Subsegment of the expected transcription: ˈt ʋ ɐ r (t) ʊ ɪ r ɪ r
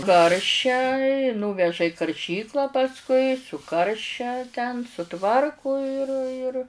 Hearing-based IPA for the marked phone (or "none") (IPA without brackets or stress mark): k